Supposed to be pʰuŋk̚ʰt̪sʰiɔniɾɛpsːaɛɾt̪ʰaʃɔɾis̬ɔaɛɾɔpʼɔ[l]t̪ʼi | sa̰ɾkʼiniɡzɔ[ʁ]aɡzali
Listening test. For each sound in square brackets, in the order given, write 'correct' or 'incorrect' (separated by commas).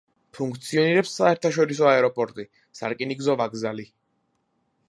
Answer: incorrect, incorrect